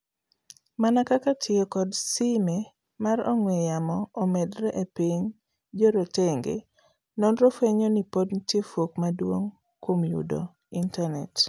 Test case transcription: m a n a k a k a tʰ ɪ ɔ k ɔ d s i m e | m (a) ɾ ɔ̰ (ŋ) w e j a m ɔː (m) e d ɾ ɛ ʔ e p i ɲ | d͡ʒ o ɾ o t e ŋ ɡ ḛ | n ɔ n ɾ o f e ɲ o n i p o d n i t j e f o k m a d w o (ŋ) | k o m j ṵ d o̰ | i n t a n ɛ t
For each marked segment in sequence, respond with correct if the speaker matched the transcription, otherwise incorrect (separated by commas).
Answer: correct, correct, correct, correct